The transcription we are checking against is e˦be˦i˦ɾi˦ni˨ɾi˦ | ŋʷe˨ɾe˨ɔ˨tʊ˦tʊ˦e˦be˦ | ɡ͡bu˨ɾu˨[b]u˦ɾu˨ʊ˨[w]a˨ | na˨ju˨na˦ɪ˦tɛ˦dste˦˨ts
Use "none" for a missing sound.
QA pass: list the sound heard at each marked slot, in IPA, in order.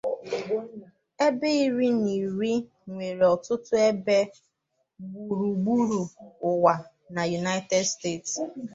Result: ɡ͡b, w

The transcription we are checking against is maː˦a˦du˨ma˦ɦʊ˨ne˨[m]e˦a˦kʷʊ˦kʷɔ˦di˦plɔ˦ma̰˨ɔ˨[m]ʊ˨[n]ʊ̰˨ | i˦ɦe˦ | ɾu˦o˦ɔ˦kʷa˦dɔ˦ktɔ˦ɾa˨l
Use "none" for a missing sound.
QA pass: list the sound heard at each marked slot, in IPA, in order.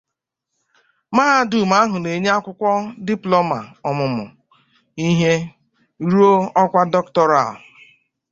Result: ɲ, m, m

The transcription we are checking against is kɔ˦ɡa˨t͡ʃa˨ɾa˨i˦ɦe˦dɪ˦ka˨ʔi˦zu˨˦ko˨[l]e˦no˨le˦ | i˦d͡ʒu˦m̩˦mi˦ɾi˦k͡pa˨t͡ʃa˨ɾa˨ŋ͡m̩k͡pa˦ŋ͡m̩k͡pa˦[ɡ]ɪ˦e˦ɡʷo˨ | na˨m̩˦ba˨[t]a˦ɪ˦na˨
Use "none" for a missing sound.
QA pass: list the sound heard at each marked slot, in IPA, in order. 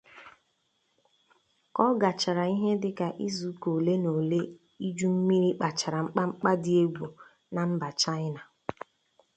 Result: l, d, t͡ʃ

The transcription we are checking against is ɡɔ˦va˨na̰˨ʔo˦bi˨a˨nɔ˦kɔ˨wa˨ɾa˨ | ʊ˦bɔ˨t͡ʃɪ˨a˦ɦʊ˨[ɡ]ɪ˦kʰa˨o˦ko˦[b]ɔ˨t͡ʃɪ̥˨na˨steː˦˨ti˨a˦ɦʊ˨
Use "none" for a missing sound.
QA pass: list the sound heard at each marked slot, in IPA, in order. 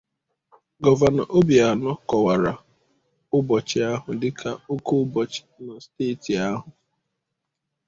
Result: d, b

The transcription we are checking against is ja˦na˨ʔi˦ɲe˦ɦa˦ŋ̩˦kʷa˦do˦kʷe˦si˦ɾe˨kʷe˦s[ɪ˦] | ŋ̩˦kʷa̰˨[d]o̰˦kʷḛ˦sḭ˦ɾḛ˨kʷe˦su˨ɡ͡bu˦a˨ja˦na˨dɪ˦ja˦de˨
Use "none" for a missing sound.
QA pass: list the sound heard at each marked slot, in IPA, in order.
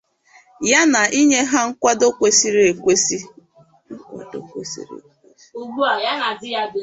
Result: i˦, d

